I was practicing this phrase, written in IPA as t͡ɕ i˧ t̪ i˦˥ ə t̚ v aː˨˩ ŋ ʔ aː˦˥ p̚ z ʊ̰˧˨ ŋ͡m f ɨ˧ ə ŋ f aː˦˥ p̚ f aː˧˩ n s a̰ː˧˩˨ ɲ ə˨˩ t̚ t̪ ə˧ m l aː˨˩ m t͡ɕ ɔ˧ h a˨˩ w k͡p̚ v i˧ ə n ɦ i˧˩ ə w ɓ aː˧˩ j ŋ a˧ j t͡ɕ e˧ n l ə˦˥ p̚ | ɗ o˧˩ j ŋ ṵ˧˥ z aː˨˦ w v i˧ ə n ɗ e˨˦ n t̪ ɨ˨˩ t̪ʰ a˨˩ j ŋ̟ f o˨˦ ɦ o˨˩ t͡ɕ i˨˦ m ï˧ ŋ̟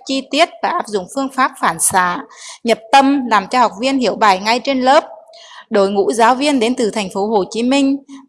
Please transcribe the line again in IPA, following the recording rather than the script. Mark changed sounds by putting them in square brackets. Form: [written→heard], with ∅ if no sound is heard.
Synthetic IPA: t͡ɕ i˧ t̪ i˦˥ ə t̚ v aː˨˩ [ŋ→∅] ʔ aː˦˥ p̚ z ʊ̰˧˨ ŋ͡m f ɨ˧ ə ŋ f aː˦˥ p̚ f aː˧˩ n s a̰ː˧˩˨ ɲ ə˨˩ [t̚→p̚] t̪ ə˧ m l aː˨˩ m t͡ɕ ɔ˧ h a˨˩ w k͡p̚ v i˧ ə n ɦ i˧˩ ə w ɓ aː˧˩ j ŋ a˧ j t͡ɕ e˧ n l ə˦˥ p̚ | ɗ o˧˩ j ŋ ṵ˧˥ z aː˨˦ w v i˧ ə n ɗ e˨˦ n t̪ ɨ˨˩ t̪ʰ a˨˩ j ŋ̟ f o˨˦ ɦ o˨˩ t͡ɕ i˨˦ m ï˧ ŋ̟